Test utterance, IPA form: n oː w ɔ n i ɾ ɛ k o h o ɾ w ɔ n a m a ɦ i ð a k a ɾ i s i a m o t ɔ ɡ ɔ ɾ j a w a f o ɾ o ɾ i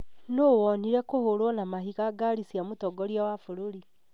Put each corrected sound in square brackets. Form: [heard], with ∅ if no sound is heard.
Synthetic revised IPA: n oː w ɔ n i ɾ ɛ k o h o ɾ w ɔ n a m a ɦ i [ɣ] a [ɡ] a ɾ i s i a m o t ɔ ɡ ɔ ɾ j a w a f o ɾ o ɾ i